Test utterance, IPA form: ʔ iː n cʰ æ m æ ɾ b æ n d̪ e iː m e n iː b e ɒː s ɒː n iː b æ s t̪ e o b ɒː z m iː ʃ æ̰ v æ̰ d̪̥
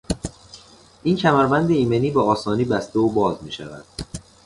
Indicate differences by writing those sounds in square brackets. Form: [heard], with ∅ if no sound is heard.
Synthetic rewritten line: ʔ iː n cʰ æ m æ ɾ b æ n d̪ e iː m e n iː b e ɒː s ɒː n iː b æ s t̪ e o b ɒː z m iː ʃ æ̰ v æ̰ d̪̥